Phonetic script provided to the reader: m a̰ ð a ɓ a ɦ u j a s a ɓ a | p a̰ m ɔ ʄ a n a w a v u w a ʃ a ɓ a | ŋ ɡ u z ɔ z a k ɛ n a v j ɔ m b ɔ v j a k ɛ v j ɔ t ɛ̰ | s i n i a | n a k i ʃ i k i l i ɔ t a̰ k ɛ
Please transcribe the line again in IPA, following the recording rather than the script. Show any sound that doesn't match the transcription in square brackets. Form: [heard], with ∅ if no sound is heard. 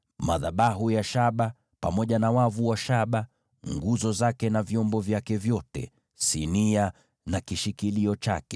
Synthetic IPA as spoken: m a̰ ð a ɓ a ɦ u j a [ʃ] a ɓ a | p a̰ m ɔ ʄ a n a w a v u w a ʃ a ɓ a | ŋ ɡ u z ɔ z a k ɛ n a v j ɔ m b ɔ v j a k ɛ v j ɔ t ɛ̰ | s i n i a | n a k i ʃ i k i l i ɔ [t͡ʃ] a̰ k ɛ

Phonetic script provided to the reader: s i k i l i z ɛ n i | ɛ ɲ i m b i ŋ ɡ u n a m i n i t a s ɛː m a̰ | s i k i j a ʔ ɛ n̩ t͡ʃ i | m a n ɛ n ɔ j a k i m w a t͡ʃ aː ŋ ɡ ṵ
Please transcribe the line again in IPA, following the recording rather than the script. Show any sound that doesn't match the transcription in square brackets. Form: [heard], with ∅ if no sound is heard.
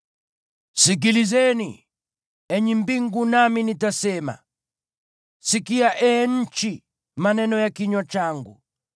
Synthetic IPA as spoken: s i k i l i z ɛ n i | ɛ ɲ i m b i ŋ ɡ u n a m i n i t a s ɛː m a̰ | s i k i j a ʔ ɛ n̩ t͡ʃ i | m a n ɛ n ɔ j a k i [ɲ] w a t͡ʃ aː ŋ ɡ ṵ

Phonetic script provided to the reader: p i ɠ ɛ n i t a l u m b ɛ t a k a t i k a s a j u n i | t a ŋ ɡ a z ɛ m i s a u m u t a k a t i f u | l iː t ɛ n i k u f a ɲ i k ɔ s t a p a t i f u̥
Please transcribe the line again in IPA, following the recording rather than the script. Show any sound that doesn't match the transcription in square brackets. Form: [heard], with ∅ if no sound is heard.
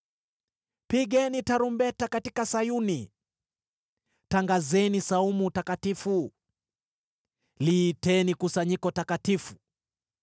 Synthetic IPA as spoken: p i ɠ ɛ n i t a [ɾ] u m b ɛ t a k a t i k a s a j u n i | t a ŋ ɡ a z ɛ [n] i s a u m u t a k a t i f u | l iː t ɛ n i k u [s] a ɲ i k ɔ [∅] t a [k] a t i f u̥

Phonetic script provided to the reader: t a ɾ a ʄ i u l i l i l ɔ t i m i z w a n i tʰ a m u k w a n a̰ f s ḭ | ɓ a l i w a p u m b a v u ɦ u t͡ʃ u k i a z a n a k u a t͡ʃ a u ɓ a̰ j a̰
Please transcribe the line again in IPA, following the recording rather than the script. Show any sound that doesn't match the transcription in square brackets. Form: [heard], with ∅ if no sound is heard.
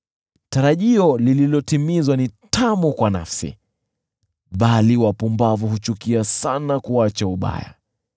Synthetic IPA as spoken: t a ɾ a ʄ i [ɔ] l i l i l ɔ t i m i z w a n i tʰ a m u k w a n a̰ f s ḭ | ɓ a l i w a p u m b a v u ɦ u t͡ʃ u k i a [s] a n a k u a t͡ʃ a u ɓ a̰ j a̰

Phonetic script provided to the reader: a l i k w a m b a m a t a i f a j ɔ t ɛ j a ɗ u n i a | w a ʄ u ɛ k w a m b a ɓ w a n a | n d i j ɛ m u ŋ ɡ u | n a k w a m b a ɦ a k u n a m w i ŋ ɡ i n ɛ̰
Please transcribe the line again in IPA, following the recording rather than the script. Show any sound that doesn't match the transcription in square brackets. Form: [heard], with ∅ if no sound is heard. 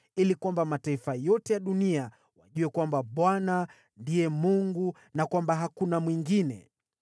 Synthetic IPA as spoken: [i] l i k w a m b a m a t a i f a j ɔ t ɛ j a ɗ u n i a | w a ʄ u ɛ k w a m b a ɓ w a n a | n d i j ɛ m u ŋ ɡ u | n a k w a m b a ɦ a k u n a m w i ŋ ɡ i n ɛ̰

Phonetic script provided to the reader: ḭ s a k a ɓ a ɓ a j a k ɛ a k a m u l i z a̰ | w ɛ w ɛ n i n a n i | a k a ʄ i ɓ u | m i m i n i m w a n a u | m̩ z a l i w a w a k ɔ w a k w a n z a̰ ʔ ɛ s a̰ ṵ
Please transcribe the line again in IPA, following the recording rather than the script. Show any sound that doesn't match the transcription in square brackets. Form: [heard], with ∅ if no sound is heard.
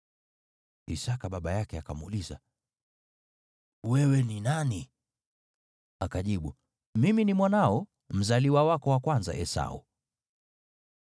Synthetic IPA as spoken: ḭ s a k a ɓ a ɓ a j a k ɛ a k a m u l i z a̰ | w ɛ w ɛ n i n a n i | a k a ʄ i ɓ u | m i m i n i m w a n a [ɔ] | m̩ z a l i w a w a k ɔ w a k w a n z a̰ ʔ ɛ s a̰ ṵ

